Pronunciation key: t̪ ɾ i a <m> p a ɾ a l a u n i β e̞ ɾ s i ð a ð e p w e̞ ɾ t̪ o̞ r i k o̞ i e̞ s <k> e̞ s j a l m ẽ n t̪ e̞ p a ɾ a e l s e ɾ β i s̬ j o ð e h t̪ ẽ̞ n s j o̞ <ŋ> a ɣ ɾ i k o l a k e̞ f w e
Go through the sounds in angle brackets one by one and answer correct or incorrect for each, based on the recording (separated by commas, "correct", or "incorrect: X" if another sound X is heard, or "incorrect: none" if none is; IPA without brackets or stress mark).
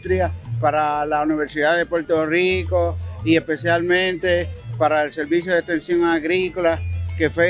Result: incorrect: none, incorrect: p, correct